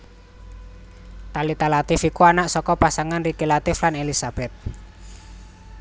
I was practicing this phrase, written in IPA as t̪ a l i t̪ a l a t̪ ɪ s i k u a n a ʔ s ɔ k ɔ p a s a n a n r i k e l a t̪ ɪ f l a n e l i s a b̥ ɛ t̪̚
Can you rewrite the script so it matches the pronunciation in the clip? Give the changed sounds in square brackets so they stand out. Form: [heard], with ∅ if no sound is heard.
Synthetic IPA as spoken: t̪ a l i t̪ a l a t̪ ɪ [f] i k u a n a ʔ s ɔ k ɔ p a s a [ŋ] a n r i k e l a t̪ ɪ f l a n e l i s a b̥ ɛ t̪̚